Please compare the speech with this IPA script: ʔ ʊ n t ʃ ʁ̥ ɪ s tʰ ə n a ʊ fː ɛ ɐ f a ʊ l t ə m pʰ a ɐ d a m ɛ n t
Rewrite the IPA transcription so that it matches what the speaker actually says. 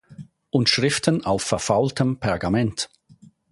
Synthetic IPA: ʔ ʊ n t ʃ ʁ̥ ɪ f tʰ ə n a ʊ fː ɛ ɐ f a ʊ l t ə m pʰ ɛ ɐ ɡ a m ɛ n t